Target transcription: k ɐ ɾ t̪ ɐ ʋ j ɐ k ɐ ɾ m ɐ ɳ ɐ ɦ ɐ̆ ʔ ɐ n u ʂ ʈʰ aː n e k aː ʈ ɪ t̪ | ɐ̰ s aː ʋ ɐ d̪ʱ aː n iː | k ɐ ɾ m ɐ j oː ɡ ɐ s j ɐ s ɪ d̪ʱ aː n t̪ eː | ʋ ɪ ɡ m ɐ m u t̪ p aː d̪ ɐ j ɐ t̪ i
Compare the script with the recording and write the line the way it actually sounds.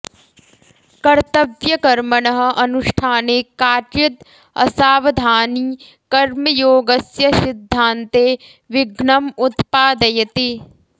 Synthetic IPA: k ɐ ɾ t̪ ɐ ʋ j ɐ k ɐ ɾ m ɐ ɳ ɐ ɦ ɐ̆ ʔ ɐ n u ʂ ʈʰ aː n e k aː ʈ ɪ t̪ | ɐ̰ s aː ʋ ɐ d̪ʱ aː n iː | k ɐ ɾ m ɐ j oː ɡ ɐ s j ɐ s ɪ d̪ʱː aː n t̪ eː | ʋ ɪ ɡ ɳ ɐ m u t̪ p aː d̪ ɐ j ɐ t̪ i